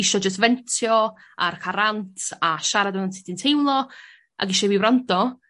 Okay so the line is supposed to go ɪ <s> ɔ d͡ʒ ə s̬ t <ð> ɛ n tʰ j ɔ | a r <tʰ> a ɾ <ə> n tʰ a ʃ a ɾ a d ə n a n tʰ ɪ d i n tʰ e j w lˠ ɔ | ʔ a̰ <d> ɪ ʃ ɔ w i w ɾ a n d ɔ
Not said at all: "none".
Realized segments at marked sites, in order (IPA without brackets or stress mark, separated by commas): ʃ, v, kʰ, a, ɡ